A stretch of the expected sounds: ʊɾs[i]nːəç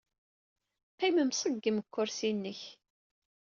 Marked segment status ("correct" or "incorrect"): correct